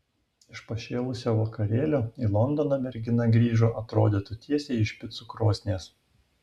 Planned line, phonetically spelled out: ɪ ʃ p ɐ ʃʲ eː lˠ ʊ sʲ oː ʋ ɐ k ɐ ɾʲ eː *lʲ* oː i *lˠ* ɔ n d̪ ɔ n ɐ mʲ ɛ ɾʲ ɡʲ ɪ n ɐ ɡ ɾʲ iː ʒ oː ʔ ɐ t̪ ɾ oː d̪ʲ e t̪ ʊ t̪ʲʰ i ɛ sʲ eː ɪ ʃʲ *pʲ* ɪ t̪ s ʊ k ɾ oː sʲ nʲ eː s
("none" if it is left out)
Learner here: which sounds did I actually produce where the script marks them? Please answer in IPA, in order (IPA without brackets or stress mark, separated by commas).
lʲ, lˠ, pʲ